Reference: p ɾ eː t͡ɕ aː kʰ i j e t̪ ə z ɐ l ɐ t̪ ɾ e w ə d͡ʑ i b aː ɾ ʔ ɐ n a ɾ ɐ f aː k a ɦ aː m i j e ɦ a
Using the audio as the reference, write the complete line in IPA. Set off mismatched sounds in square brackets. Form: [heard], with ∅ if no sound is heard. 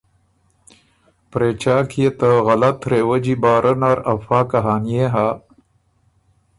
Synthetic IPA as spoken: p ɾ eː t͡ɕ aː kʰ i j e t̪ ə [ɣ] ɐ l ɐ t̪ ɾ e w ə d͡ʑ i b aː ɾ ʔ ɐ n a ɾ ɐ f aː k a ɦ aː [n] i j e ɦ a